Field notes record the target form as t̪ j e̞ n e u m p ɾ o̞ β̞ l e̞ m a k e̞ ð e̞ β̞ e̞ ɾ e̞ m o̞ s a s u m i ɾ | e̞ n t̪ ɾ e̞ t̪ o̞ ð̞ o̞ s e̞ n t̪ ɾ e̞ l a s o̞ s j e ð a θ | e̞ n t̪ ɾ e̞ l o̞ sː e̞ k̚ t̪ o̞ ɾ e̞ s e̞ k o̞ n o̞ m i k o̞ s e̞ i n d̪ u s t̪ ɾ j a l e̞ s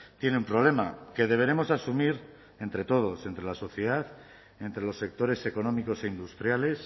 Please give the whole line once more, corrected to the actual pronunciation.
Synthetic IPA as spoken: t̪ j e̞ n e u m p ɾ o̞ β̞ l e̞ m a k e̞ ð e̞ β̞ e̞ ɾ e̞ m o̞ s a s u m i ɾ | e̞ n t̪ ɾ e̞ t̪ o̞ ð̞ o̞ s e̞ n t̪ ɾ e̞ l a s o̞ θ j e ð a θ | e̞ n t̪ ɾ e̞ l o̞ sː e̞ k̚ t̪ o̞ ɾ e̞ s e̞ k o̞ n o̞ m i k o̞ s e̞ i n d̪ u s t̪ ɾ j a l e̞ s